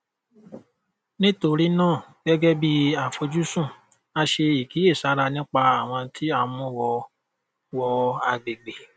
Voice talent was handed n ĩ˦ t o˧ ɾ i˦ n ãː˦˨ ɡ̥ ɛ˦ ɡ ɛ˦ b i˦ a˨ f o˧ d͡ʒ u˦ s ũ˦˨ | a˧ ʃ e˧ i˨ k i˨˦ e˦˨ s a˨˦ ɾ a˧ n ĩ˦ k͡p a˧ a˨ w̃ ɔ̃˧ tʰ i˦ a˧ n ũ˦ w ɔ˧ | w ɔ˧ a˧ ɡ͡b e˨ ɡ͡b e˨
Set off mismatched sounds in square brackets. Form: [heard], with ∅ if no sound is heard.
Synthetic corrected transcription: n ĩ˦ t o˧ ɾ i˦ n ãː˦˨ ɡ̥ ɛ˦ ɡ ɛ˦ b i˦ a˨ f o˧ d͡ʒ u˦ s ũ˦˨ | a˧ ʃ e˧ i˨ k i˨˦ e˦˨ s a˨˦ ɾ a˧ n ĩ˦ k͡p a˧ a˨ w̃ ɔ̃˧ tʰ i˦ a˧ [m] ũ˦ w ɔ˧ | w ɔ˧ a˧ ɡ͡b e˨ ɡ͡b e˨